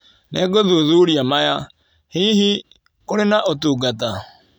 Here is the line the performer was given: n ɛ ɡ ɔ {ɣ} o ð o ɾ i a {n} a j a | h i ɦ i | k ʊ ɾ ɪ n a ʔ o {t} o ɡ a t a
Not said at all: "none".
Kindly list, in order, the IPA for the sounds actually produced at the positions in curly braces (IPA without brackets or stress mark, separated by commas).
ð, m, t